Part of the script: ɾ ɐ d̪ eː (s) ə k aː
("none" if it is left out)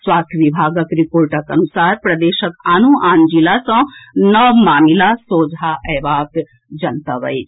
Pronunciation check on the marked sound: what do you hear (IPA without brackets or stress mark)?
ʃ